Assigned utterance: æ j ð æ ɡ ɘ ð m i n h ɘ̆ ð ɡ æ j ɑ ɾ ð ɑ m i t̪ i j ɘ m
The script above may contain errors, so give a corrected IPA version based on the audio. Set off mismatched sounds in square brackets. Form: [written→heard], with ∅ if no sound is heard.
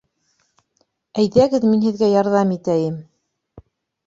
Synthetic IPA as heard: æ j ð æ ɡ ɘ ð m i n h ɘ̆ ð ɡ æ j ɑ ɾ ð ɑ m i t̪ [i→æ] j ɘ m